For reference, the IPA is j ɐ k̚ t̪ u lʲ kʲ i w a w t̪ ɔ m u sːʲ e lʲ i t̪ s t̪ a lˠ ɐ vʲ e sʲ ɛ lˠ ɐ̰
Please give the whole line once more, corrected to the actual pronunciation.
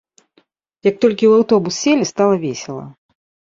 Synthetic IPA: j ɐ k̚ t̪ ɔ lʲ kʲ i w a w t̪ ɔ b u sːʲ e lʲ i s t̪ a lˠ ɐ vʲ e sʲ ɛ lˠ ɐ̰

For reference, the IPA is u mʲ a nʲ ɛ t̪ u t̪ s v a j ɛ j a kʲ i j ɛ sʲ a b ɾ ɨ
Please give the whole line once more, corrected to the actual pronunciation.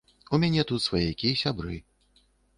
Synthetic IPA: u mʲ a nʲ ɛ t̪ u t̪ s v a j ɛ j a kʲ i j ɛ sʲ a b ɾ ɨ

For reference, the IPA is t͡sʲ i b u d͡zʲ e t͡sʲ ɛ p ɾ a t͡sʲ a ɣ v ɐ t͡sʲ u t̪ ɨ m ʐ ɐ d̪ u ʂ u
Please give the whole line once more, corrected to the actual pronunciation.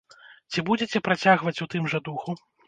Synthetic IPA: t͡sʲ i b u d͡zʲ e t͡sʲ ɛ p ɾ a t͡sʲ a ɣ v ɐ t͡sʲ u t̪ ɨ m ʐ ɐ d̪ u x u

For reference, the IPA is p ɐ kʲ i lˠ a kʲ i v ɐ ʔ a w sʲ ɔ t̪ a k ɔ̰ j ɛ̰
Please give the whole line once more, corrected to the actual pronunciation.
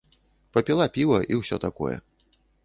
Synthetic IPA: p ɐ pʲ i lˠ a pʲ i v ɐ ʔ i w sʲ ɔ t̪ a k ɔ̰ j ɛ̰

